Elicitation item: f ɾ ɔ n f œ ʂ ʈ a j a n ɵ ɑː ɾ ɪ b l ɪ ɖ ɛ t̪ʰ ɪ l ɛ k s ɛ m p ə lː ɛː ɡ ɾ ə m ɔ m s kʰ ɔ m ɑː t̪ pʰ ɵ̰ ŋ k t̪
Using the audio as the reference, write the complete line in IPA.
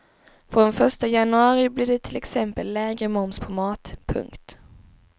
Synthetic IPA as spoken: f ɾ ɔ n f œ ʂ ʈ a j a n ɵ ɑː ɾ ɪ b l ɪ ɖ ɛ t̪ʰ ɪ l ɛ k s ɛ m p ə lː ɛː ɡ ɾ ə m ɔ m s pʰ ɔ m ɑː t̪ pʰ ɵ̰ ŋ k t̪